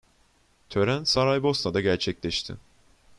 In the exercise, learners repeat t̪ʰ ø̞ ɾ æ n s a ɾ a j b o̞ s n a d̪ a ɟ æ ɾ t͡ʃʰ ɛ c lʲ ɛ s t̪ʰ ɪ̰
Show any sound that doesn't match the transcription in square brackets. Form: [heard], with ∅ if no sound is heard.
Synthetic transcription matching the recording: t̪ʰ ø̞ ɾ æ n s a ɾ a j b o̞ s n a d̪ a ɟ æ ɾ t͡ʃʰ ɛ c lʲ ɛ [ʃ] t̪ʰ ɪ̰